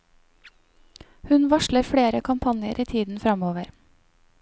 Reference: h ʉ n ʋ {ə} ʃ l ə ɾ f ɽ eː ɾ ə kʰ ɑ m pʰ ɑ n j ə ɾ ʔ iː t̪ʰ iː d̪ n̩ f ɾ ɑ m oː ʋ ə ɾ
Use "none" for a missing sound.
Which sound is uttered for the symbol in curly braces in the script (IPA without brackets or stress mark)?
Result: ɑ